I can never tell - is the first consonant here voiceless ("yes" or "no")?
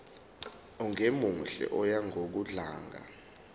no